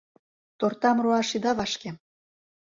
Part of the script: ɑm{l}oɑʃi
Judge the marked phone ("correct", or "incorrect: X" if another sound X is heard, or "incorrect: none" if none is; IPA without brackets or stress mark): incorrect: r